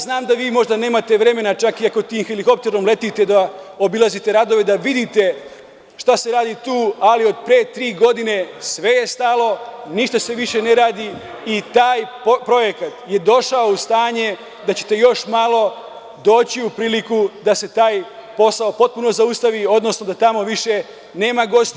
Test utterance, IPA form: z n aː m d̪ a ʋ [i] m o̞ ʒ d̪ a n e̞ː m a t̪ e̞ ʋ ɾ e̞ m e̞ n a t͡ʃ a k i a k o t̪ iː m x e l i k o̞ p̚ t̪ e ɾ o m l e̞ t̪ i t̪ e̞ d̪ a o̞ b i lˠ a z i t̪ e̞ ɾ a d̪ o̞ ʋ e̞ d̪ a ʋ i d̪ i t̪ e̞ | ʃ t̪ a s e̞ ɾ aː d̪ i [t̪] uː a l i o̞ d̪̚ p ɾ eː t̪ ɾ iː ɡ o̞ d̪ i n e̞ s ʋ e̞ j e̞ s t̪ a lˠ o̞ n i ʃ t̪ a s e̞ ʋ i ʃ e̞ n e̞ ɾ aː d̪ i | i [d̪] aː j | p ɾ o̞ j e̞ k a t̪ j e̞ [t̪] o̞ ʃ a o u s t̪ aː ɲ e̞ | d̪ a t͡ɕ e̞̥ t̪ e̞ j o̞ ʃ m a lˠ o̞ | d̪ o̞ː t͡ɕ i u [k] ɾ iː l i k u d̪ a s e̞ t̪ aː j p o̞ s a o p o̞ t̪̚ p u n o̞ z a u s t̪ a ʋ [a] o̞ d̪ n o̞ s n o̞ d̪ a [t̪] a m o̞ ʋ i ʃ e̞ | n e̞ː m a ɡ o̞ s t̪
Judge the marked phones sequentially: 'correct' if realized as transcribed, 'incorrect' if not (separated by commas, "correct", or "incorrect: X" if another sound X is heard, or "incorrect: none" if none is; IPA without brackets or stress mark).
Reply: incorrect: iː, correct, incorrect: t̪, incorrect: d̪, incorrect: p, incorrect: i, correct